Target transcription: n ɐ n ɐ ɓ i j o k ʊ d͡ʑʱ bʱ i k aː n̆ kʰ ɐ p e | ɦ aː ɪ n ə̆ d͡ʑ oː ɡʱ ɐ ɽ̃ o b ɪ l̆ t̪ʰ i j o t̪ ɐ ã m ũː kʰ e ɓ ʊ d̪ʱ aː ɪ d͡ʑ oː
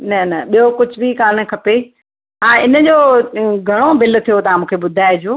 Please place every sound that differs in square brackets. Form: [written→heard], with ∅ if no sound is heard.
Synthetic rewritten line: n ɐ n ɐ ɓ i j o k ʊ d͡ʑʱ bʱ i k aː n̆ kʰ ɐ p e | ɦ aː ɪ n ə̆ d͡ʑ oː ɡʱ ɐ ɽ̃ o b ɪ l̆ t̪ʰ i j o t̪ ɐ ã m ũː kʰ e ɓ ʊ d̪ʱ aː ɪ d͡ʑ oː